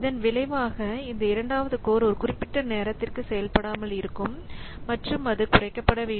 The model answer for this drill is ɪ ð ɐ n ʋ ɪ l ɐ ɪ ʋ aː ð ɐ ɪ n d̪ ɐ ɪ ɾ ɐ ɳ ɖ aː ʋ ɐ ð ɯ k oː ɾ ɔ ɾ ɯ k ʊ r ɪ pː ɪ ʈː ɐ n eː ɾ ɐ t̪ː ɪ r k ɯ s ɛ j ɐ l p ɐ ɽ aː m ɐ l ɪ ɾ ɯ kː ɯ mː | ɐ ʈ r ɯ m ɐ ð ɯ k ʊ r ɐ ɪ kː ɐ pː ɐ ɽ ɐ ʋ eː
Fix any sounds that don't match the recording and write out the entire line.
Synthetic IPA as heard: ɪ ð ɐ n ʋ ɪ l ɐ ɪ ʋ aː ɣ ɐ ɪ n d̪ ɐ ɪ ɾ ɐ ɳ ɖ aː ʋ ɐ ð ɯ k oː ɾ ɔ ɾ ɯ k ʊ r ɪ pː ɪ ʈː ɐ n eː ɾ ɐ t̪ː ɪ r k ɯ s ɛ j ɐ l p ɐ ɽ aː m ɐ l ɪ ɾ ɯ kː ɯ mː | ɐ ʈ r ɯ m ɐ ð ɯ k ʊ r ɐ ɪ kː ɐ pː ɐ ɽ ɐ ʋ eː